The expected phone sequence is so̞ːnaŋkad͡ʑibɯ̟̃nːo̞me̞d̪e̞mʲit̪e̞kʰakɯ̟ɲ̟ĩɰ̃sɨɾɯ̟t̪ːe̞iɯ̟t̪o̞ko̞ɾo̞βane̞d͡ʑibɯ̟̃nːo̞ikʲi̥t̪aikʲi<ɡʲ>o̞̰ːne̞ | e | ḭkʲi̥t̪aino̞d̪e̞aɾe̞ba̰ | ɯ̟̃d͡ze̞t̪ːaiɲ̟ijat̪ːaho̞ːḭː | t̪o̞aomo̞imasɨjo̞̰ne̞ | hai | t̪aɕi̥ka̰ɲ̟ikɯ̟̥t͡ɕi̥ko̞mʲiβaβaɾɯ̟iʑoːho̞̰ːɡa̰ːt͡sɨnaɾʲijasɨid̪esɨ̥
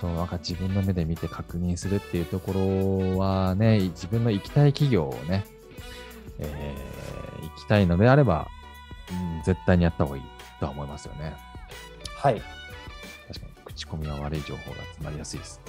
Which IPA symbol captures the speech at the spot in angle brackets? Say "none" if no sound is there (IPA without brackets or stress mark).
ɡʲ